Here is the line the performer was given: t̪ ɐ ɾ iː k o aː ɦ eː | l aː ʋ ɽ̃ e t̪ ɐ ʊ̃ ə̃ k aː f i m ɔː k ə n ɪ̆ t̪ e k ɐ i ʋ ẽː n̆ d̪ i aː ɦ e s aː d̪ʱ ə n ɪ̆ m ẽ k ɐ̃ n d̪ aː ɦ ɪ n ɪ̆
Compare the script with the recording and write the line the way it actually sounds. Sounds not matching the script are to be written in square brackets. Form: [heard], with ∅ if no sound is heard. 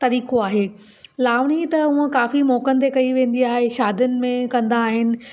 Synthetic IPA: t̪ ɐ ɾ iː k o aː ɦ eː | l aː ʋ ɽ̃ [i] t̪ ɐ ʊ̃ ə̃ k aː f i m ɔː k ə n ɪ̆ t̪ e k ɐ i ʋ ẽː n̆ d̪ i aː ɦ e [ʃ] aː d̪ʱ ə n ɪ̆ m ẽ k ɐ̃ n d̪ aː ɦ ɪ n ɪ̆